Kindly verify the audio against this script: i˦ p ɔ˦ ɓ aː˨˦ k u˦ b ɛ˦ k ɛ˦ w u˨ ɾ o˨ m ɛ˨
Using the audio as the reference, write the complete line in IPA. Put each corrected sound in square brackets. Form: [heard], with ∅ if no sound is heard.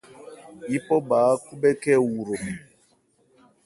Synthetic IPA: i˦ p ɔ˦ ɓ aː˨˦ k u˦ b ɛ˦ k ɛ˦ w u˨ ɾ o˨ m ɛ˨